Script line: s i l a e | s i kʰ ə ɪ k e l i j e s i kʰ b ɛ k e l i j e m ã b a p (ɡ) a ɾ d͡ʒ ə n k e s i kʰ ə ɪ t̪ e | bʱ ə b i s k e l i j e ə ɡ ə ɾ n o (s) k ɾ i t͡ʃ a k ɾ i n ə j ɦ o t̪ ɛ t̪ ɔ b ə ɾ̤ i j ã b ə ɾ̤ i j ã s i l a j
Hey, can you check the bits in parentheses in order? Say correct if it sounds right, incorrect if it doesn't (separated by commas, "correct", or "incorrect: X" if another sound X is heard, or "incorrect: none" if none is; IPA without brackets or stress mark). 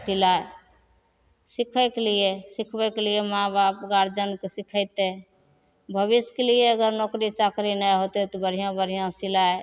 correct, incorrect: none